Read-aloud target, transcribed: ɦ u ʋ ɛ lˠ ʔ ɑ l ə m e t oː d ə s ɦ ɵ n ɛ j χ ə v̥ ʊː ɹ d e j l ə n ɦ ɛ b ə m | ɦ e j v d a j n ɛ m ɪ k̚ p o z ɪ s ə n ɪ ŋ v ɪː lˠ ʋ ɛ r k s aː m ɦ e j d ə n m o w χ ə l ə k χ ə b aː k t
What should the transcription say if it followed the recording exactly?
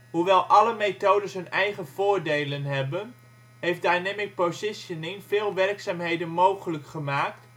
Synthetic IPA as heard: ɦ u ʋ ɛ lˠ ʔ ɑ l ə m e t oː d ə s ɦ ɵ n ɛ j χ ə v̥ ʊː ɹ d e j l ə n ɦ ɛ b ə n | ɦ e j f d a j n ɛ m ɪ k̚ p o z ɪ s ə n ɪ ŋ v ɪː lˠ ʋ ɛ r k s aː m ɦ e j d ə n m o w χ ə l ə k χ ə m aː k t